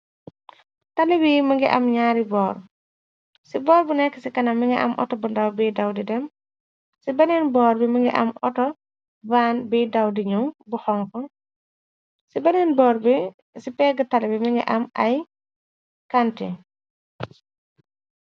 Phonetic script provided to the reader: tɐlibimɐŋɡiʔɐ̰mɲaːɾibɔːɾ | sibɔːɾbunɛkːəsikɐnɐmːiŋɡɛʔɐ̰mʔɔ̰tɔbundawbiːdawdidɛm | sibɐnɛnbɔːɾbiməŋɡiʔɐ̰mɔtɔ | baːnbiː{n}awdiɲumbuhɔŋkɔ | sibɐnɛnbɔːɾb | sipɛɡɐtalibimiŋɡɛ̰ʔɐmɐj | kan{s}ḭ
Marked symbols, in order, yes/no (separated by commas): no, no